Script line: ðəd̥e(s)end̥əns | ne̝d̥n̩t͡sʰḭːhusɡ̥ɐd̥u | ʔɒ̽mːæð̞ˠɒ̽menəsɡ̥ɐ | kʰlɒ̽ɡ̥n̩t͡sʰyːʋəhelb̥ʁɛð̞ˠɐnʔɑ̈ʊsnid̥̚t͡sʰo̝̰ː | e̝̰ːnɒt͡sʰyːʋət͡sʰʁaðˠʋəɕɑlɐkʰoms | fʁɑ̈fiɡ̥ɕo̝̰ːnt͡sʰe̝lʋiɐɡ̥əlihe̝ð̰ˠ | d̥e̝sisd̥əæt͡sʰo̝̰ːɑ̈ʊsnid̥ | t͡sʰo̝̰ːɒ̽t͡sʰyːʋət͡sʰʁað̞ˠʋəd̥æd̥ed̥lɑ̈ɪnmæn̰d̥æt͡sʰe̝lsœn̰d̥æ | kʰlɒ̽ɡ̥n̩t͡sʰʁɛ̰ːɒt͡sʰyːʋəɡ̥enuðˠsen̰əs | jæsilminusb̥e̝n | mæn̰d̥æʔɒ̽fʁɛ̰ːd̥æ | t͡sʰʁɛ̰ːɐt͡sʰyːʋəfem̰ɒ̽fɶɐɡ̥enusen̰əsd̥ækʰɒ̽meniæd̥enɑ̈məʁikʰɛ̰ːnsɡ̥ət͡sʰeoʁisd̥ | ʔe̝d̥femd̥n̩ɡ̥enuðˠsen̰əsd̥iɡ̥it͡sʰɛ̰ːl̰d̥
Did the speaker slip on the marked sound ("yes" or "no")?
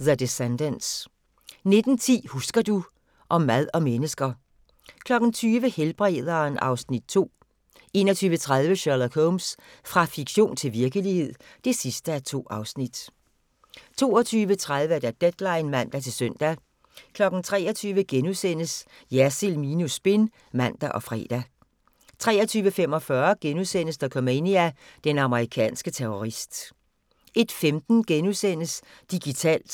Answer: no